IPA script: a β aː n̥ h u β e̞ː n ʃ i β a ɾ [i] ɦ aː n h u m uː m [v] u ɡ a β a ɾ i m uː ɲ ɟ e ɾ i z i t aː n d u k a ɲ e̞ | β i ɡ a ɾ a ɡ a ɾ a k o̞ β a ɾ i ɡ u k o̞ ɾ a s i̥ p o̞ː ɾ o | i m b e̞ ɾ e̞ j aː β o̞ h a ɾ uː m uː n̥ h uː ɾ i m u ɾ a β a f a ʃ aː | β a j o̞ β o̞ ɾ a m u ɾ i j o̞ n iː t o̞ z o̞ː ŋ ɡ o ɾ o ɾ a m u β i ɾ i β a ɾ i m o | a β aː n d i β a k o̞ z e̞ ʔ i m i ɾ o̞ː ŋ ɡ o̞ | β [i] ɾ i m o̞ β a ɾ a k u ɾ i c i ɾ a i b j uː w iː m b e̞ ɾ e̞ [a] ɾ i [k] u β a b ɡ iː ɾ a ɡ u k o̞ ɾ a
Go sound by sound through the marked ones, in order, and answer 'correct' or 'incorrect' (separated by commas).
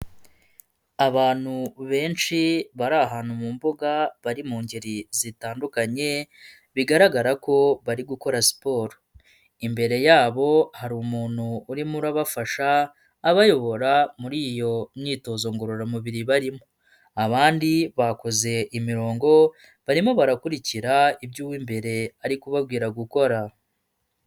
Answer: incorrect, incorrect, incorrect, correct, correct